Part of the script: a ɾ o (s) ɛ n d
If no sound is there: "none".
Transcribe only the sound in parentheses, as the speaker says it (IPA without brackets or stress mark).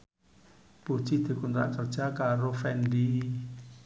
f